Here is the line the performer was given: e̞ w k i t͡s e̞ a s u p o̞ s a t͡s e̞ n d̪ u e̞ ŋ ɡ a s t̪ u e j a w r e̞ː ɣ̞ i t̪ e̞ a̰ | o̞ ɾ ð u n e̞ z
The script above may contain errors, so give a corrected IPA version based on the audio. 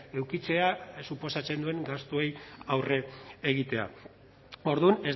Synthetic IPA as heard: e̞ w k i t͡s e̞ a s u p o̞ s a t͡s e̞ n d̪ u e̞ ŋ ɡ a s t̪ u e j a w r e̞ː ɣ̞ i t̪ e̞ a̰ | o̞ ɾ ð u n e̞ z